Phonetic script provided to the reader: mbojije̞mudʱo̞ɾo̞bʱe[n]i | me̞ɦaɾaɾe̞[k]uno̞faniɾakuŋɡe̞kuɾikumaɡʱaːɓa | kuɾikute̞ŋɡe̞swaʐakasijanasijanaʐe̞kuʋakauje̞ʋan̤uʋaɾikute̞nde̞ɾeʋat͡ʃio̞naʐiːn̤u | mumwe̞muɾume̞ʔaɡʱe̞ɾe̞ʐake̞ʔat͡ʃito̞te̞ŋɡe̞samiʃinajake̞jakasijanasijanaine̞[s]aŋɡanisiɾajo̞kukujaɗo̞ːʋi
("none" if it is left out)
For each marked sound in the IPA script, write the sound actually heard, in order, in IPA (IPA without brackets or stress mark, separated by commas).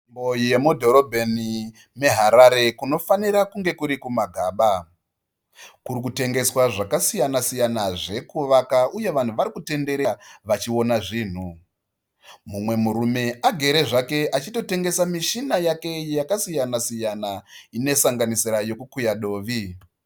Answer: n, k, s